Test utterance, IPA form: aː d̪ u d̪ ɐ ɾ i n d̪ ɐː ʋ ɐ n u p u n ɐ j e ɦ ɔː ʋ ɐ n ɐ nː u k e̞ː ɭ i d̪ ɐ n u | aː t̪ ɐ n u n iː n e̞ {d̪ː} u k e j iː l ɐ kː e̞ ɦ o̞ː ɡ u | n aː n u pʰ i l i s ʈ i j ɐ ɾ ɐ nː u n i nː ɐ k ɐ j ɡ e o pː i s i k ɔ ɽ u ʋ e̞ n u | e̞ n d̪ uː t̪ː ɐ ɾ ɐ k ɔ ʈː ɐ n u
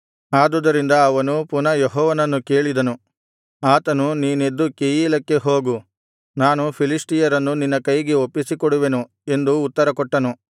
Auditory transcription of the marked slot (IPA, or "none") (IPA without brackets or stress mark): d̪ː